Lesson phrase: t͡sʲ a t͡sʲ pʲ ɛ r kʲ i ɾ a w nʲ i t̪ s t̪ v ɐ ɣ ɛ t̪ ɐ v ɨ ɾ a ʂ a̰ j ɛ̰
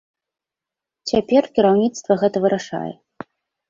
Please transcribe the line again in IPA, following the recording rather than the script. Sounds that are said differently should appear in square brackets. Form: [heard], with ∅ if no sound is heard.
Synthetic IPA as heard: t͡sʲ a [∅] pʲ ɛ r kʲ i ɾ a w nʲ i t̪ s t̪ v ɐ ɣ ɛ t̪ ɐ v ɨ ɾ a ʂ a̰ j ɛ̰

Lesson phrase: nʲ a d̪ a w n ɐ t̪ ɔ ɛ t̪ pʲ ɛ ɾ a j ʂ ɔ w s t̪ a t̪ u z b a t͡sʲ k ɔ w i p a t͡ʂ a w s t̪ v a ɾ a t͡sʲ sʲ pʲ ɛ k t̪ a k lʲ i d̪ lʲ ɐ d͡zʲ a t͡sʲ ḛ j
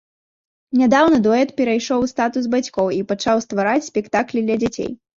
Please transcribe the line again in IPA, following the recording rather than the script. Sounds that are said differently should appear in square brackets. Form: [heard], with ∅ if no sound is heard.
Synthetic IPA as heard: nʲ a d̪ a w n ɐ [d̪] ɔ ɛ t̪ pʲ ɛ ɾ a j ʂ ɔ w s t̪ a t̪ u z b a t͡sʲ k ɔ w i p a t͡ʂ a w s t̪ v a ɾ a t͡sʲ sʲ pʲ ɛ k t̪ a k lʲ i d̪ lʲ ɐ d͡zʲ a t͡sʲ ḛ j

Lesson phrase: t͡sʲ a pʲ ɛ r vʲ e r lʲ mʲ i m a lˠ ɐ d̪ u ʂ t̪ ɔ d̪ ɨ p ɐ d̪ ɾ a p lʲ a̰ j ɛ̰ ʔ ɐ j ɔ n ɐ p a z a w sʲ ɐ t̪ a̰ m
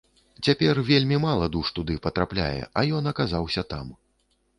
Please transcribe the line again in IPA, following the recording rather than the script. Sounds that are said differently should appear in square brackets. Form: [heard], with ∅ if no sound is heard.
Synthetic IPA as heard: t͡sʲ a pʲ ɛ r vʲ e [∅] lʲ mʲ i m a lˠ ɐ d̪ u ʂ t̪ [u] d̪ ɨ p ɐ [t̪] ɾ a p lʲ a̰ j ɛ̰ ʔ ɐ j ɔ n ɐ [k] a z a w sʲ ɐ t̪ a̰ m

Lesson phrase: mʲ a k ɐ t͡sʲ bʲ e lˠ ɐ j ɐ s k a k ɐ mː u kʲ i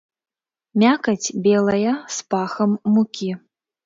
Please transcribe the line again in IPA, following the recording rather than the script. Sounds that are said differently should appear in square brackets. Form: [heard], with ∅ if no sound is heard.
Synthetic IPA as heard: mʲ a k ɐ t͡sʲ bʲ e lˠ ɐ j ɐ s [p] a [x] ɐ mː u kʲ i

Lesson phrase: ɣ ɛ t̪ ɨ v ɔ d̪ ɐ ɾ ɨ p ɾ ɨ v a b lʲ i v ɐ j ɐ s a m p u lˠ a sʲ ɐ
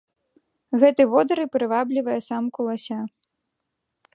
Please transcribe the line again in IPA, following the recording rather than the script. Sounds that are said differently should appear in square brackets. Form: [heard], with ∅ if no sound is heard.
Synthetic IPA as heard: ɣ ɛ t̪ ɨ v ɔ d̪ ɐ ɾ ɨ p ɾ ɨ v a b lʲ i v ɐ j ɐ s a m [k] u lˠ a sʲ [a]

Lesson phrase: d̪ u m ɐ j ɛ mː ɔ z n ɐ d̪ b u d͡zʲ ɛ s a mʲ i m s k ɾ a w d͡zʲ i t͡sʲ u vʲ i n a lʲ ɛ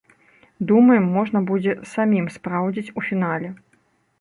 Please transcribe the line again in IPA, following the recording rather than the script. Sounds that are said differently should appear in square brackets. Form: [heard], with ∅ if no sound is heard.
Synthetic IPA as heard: d̪ u m ɐ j ɛ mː ɔ [ʐ] n ɐ [∅] b u d͡zʲ ɛ s a mʲ i m s [p] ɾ a w d͡zʲ i t͡sʲ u [fʲ] i n a lʲ ɛ

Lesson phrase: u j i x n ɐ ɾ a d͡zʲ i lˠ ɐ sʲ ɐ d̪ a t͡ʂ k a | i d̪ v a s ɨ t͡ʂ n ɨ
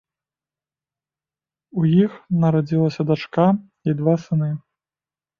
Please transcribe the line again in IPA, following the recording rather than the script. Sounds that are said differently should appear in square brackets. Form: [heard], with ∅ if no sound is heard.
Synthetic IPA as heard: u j i x n ɐ ɾ a d͡zʲ i lˠ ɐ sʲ ɐ d̪ a t͡ʂ k a | i d̪ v a s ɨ [∅] n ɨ

